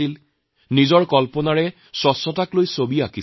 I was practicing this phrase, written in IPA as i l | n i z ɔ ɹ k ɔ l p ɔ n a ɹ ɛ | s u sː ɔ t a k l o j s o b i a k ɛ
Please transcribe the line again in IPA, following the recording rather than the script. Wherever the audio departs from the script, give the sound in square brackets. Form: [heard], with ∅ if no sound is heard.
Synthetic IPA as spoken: i l | n i z ɔ ɹ k ɔ l p ɔ n a ɹ ɛ | s [ɔ] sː ɔ t a k l o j s o b i a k [i]